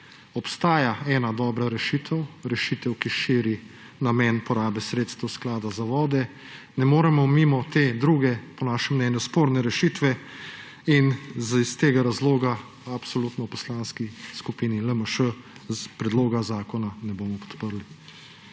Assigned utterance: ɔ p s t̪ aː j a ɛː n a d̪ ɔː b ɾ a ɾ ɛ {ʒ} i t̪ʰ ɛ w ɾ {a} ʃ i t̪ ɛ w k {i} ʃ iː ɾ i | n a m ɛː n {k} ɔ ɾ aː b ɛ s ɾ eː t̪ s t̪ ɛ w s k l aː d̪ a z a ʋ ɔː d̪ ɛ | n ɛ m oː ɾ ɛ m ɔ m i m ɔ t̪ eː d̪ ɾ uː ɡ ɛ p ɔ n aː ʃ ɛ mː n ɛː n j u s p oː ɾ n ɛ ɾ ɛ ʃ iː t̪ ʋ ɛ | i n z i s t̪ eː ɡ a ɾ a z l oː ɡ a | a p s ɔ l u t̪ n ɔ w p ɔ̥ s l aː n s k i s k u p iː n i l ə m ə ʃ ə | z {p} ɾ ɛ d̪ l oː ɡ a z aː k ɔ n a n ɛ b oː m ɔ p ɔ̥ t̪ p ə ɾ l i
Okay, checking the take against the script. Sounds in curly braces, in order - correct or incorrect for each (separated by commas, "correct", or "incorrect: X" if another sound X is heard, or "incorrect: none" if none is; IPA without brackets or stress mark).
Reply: incorrect: ʃ, incorrect: ɛ, correct, incorrect: p, correct